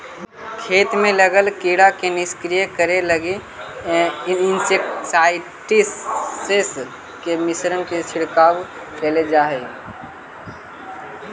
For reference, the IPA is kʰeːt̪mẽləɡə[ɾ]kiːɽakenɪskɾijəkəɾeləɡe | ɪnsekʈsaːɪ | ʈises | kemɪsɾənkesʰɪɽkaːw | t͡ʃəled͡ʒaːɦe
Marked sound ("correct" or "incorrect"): incorrect